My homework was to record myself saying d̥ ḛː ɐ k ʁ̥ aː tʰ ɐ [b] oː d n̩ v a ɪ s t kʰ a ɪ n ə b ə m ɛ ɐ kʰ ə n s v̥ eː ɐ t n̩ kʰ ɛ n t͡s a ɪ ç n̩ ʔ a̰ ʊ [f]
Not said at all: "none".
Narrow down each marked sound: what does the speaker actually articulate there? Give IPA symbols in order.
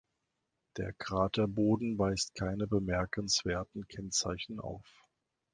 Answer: b, f

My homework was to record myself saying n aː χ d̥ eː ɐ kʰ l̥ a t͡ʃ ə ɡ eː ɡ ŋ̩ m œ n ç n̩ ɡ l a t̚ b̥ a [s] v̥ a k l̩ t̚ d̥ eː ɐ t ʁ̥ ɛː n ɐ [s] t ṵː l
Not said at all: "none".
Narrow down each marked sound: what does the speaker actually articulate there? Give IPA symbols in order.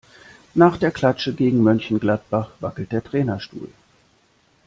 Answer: χ, ʃ

